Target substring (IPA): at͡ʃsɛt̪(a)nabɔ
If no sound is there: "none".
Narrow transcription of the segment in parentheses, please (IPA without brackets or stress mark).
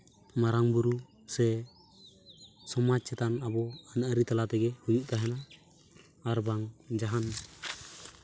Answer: a